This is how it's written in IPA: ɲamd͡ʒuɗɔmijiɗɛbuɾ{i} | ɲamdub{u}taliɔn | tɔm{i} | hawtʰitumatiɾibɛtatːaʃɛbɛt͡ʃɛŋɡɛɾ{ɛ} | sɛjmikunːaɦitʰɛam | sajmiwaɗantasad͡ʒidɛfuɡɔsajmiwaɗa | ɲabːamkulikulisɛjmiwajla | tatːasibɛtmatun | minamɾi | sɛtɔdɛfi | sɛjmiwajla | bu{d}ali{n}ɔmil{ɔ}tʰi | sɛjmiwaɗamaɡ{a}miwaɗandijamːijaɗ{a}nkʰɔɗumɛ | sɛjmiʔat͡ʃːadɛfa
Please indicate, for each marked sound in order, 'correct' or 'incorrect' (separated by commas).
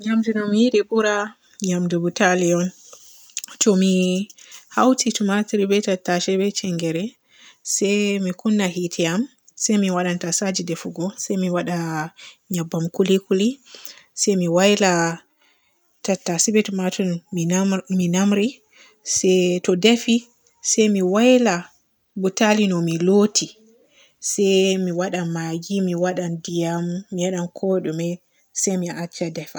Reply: incorrect, correct, correct, correct, incorrect, correct, incorrect, incorrect, correct